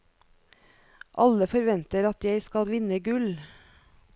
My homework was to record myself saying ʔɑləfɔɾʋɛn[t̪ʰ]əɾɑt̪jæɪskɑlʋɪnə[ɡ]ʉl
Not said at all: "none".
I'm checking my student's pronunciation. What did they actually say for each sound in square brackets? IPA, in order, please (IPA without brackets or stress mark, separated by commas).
t̪, ɡ